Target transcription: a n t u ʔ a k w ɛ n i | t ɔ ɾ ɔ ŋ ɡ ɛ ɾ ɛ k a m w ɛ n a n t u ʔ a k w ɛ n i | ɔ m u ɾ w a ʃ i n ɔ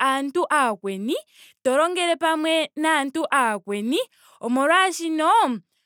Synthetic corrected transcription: a n t u ʔ a k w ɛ n i | t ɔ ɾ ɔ ŋ ɡ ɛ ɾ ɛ p a m w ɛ n a n t u ʔ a k w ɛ n i | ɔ m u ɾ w a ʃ i n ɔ

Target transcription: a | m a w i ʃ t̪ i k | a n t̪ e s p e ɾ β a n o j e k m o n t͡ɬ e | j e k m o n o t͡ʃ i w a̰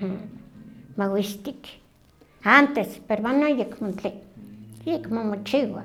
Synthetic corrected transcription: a | m a w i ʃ t̪ i k | a n t̪ e s p e ɾ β a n o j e k m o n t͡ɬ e | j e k m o m o t͡ʃ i w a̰

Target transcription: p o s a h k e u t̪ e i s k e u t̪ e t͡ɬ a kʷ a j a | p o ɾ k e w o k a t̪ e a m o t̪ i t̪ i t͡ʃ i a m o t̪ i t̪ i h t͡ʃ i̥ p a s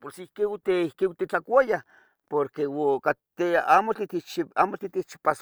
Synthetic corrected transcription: p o s i h k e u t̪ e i h k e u t̪ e t͡ɬ a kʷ a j a | p o ɾ k e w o k a t̪ e a m o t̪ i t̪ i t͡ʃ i a m o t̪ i t̪ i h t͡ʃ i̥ p a s

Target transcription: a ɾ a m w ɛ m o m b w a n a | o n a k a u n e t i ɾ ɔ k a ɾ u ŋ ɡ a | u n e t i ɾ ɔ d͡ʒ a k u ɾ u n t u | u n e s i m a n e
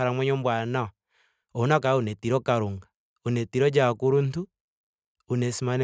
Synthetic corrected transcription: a ɾ a m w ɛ ɲ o m b w a n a | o n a k a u n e t i ɾ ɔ k a ɾ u ŋ ɡ a | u n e t i ɾ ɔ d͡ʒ a k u ɾ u n t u | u n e s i m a n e

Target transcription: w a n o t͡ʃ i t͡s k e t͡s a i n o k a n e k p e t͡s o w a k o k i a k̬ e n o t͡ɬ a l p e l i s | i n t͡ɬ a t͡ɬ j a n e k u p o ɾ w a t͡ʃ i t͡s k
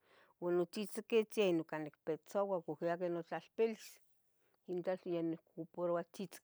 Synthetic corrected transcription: w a n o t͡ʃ i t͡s k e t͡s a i n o k a n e k p e t͡s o w a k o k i a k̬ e n o t͡ɬ a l p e l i s | i n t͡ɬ a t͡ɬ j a n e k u p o ɾ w a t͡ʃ i t͡s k

